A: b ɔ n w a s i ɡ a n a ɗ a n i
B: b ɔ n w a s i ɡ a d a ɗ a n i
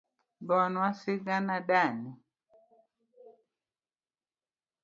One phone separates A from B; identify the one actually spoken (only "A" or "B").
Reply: A